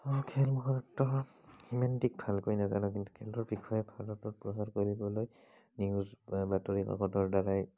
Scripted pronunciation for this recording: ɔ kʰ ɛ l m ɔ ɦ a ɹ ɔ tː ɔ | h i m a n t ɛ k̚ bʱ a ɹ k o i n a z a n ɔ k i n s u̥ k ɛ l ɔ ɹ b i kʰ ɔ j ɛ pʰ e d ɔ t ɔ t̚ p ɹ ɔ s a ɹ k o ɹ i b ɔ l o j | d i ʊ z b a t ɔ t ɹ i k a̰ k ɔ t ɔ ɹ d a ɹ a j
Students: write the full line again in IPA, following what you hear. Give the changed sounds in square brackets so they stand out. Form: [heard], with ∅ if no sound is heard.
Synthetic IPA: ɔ kʰ ɛ l m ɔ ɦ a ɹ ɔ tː ɔ | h i m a n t [i] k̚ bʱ a [l] k o [j] n a z a n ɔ k i n [t] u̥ [kʰ] ɛ l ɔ ɹ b i kʰ ɔ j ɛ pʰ [a] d ɔ t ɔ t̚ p ɹ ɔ s a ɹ k o ɹ i b ɔ l o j | [n] i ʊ z b a t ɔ [∅] ɹ i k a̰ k ɔ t ɔ ɹ d a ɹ a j